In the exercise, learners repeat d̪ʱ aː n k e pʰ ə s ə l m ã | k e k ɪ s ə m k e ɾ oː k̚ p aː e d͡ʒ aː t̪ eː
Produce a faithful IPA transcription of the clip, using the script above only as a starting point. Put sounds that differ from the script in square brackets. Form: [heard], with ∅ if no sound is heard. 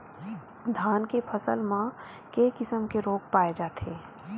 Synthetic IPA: d̪ʱ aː n k e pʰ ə s ə l m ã | k e k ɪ s ə m k e ɾ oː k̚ p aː e d͡ʒ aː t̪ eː